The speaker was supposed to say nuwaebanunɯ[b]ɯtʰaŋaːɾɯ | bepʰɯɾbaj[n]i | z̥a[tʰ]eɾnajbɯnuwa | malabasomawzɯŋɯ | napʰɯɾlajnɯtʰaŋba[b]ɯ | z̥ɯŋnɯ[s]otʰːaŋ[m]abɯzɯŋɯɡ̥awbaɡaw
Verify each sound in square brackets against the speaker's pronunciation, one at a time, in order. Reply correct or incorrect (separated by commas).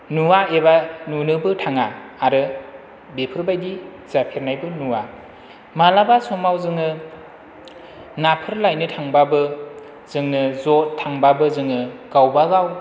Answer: correct, incorrect, incorrect, correct, incorrect, incorrect